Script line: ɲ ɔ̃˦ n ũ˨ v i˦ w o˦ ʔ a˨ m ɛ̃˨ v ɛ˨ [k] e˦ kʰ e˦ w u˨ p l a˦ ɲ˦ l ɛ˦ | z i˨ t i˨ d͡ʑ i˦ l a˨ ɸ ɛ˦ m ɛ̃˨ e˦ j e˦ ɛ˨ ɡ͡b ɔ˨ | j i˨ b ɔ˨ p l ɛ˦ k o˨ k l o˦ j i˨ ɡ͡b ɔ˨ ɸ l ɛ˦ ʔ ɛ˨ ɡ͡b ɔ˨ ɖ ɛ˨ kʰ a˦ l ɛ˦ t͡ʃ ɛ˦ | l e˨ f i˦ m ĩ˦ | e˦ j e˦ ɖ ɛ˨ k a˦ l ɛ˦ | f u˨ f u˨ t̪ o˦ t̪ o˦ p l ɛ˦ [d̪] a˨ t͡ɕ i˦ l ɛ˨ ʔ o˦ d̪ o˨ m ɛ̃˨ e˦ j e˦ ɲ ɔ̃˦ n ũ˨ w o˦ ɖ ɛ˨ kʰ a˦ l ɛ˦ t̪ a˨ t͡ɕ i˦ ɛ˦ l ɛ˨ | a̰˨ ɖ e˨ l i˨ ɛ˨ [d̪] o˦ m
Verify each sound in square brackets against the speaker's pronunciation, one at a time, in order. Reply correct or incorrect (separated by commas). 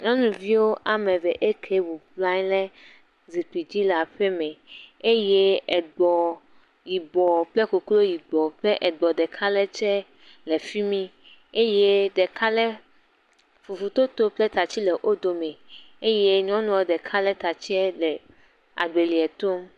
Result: incorrect, incorrect, incorrect